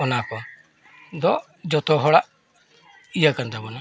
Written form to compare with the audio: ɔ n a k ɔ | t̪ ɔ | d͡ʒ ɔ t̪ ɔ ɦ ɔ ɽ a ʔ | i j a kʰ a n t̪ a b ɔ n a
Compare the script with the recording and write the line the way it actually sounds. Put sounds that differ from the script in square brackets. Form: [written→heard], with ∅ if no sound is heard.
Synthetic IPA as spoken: ɔ n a k ɔ | [t̪→d̪] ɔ | d͡ʒ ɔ t̪ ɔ ɦ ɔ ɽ a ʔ | i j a [kʰ→k] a n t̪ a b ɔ n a